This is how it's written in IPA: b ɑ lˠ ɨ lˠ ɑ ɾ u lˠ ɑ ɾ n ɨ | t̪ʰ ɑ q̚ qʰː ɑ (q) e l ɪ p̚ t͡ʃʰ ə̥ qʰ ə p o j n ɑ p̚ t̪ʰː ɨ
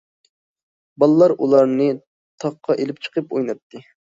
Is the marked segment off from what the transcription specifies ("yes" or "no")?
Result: yes